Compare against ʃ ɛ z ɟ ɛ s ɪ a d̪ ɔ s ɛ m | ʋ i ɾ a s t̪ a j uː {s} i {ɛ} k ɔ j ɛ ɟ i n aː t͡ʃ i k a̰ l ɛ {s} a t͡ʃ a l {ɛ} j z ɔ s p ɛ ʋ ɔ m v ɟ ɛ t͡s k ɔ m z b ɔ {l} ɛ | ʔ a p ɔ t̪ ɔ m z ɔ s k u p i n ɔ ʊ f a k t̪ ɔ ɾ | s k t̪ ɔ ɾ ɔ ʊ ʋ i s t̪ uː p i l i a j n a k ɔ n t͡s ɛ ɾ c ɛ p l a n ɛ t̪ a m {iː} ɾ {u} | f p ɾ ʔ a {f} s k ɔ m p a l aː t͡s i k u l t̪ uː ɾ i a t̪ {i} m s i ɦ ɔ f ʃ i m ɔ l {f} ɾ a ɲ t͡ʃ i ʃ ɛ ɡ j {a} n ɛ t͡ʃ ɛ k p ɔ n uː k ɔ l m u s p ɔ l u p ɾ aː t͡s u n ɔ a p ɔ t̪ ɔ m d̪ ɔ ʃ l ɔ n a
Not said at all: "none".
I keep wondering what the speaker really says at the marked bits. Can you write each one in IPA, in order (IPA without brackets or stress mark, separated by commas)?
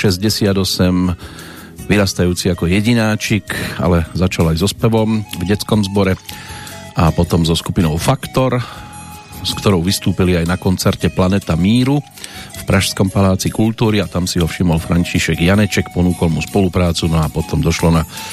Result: t͡s, a, z, a, ɾ, iː, u, ʃ, a, f, a